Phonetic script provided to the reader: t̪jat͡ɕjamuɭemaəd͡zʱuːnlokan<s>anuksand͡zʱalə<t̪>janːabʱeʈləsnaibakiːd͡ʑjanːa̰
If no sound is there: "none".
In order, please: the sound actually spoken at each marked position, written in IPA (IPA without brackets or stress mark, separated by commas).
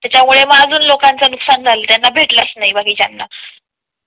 t͡s, t̪